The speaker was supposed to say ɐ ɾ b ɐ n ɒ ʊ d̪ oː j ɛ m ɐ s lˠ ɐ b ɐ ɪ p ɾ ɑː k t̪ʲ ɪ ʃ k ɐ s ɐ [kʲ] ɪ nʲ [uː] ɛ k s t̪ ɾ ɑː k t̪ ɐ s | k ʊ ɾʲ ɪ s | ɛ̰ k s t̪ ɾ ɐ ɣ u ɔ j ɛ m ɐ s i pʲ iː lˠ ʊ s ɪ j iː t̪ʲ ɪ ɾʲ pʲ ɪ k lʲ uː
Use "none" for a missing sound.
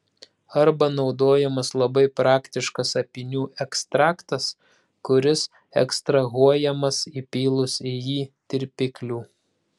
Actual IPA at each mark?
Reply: pʲ, uː

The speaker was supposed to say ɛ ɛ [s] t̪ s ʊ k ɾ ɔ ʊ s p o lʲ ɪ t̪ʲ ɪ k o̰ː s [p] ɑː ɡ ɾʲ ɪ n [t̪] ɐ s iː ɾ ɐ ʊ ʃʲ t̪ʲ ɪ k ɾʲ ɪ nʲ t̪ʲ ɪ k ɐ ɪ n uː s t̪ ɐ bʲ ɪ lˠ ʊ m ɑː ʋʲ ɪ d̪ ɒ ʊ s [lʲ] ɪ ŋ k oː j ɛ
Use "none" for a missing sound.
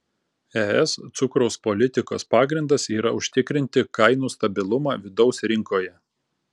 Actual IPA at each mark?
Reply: s, p, d̪, ɾʲ

